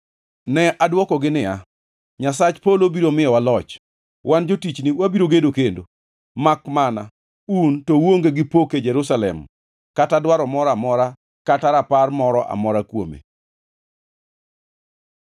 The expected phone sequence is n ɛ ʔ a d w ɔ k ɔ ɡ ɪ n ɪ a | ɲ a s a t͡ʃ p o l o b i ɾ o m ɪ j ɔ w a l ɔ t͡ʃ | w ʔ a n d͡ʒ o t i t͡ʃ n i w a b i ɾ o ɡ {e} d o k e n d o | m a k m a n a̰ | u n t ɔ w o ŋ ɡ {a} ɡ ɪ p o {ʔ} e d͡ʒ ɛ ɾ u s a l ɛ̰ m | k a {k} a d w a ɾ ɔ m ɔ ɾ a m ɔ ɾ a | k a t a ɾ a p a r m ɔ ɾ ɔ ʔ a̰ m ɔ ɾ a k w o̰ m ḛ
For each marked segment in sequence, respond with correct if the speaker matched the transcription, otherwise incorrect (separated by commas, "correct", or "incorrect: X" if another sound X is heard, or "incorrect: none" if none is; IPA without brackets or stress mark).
correct, incorrect: e, incorrect: k, incorrect: t